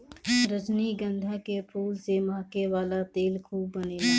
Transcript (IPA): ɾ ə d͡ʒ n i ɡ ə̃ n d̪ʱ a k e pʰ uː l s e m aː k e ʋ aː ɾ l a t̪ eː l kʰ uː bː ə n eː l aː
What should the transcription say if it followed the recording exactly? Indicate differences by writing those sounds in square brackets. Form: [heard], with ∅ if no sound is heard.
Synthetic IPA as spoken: ɾ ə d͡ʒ n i ɡ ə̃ n d̪ʱ a k e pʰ uː l s e m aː k e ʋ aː [∅] l a t̪ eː l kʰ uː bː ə n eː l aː